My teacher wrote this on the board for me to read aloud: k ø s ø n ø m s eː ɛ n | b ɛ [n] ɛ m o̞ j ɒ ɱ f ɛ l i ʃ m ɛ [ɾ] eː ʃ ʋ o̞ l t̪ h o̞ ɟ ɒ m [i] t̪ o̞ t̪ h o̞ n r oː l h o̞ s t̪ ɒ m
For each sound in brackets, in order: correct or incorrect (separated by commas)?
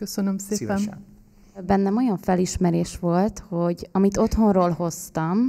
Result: incorrect, correct, correct